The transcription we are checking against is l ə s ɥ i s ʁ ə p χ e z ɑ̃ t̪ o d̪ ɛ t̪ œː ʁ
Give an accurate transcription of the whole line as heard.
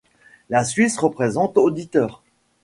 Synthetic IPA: l a s ɥ i s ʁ ə p χ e z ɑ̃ t̪ o d̪ i t̪ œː ʁ

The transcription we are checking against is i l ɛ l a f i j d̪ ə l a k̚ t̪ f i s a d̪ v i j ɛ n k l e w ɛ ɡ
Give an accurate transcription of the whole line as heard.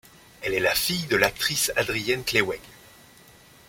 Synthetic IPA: ɛ l ɛ l a f i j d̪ ə l a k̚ t̪ χ i s a d̪ ʁ i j ɛ n k l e w ɛ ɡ

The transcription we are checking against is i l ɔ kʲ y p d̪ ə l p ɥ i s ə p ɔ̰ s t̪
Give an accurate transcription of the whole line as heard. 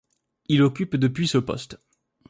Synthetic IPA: i l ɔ kʲ y p d̪ ə p ɥ i s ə p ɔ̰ s t̪

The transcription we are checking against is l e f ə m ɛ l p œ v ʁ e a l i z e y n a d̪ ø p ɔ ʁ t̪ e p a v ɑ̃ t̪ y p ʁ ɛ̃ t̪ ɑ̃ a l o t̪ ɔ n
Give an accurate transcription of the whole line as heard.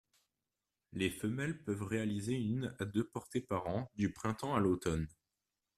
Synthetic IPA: l e f ə m ɛ l p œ v ʁ e a l i z e y n a d̪ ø p ɔ ʁ t̪ e p a ʁ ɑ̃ d̪ y p χ ɛ̃ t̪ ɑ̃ a l o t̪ ɔ n

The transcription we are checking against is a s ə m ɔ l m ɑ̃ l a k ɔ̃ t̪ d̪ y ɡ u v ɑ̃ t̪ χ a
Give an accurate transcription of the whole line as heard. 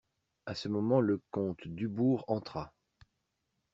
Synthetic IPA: a s ə m ɔ m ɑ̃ l ə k ɔ̃ t̪ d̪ y b u ʁ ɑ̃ t̪ χ a

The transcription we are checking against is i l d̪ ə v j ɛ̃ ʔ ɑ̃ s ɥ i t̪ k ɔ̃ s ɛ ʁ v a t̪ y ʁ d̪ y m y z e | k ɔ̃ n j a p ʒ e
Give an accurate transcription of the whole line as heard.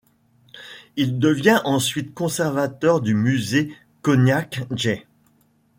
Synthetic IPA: i l d̪ ə v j ɛ̃ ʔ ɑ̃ s ɥ i t̪ k ɔ̃ s ɛ ʁ v a t̪ œ ʁ d̪ y m y z e | k ɔ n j a k ʒ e

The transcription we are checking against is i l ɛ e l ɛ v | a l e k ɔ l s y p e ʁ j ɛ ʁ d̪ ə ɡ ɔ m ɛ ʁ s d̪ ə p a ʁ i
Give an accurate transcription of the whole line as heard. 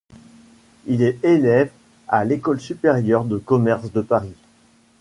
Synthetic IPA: i l ɛ e l ɛ v | a l e k ɔ l s y p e ʁ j œ ʁ d̪ ə k ɔ m ɛ ʁ s d̪ ə p a ʁ i

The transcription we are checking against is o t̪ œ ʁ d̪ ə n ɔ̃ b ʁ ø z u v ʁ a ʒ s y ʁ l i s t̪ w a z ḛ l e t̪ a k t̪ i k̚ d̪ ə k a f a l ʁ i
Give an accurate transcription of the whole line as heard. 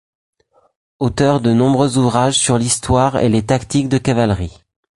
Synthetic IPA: o t̪ œ ʁ d̪ ə n ɔ̃ b ʁ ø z u v ʁ a ʒ s y ʁ l i s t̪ w a ʁ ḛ l e t̪ a k t̪ i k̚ d̪ ə k a v a l ʁ i

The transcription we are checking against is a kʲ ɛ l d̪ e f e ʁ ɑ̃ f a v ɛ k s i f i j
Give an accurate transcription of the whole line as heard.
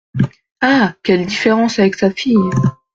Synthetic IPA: a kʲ ɛ l d̪ i f e ʁ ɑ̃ s a v ɛ k s a f i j

